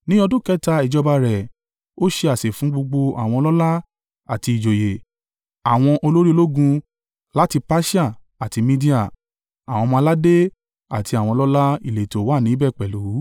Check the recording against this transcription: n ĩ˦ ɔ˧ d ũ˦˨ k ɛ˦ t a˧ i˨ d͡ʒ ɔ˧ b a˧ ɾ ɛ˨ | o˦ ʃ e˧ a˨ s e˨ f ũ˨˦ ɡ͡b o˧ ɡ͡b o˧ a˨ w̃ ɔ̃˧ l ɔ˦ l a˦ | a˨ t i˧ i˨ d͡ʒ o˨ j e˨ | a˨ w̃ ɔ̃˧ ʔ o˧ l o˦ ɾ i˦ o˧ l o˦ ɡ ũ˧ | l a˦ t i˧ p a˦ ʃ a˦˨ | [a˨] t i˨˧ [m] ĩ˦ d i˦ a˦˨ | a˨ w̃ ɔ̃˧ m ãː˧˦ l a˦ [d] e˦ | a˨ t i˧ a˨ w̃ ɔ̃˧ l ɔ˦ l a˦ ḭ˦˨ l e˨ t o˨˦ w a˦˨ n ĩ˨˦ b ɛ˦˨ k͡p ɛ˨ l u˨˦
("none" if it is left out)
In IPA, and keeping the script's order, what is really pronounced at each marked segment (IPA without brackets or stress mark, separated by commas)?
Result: a˨, m, d